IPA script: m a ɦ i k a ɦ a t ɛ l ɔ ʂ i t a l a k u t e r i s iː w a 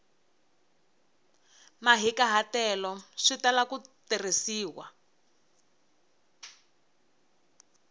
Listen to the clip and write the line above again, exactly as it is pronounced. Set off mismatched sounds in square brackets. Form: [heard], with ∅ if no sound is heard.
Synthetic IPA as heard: m a ɦ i k a ɦ a t ɛ l ɔ ʂ i t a l a k u t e r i s iː w a